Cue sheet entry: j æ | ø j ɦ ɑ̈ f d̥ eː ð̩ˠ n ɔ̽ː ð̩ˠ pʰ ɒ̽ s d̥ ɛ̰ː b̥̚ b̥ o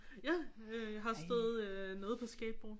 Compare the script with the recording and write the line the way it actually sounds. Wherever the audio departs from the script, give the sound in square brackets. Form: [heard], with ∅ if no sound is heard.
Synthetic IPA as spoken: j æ | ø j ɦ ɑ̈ [s] d̥ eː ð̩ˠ n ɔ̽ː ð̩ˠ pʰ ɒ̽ s [ɡ̥] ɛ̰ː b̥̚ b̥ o